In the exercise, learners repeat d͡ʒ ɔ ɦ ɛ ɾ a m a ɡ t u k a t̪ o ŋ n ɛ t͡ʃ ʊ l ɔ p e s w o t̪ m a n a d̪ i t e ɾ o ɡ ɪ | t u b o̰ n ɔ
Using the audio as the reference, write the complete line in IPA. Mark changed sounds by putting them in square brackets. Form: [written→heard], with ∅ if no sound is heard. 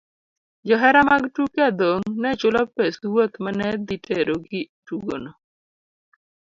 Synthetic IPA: d͡ʒ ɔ ɦ ɛ ɾ a m a ɡ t u k a [t̪→d̪] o ŋ n ɛ t͡ʃ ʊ l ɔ p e s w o t̪ m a n [a→ɛ] d̪ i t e ɾ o ɡ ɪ | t u [b→ɡ] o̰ n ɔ